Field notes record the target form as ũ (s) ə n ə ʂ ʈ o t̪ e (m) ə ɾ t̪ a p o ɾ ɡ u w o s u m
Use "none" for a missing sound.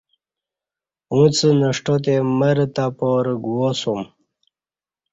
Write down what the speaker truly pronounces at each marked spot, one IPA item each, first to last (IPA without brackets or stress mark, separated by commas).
t͡s, m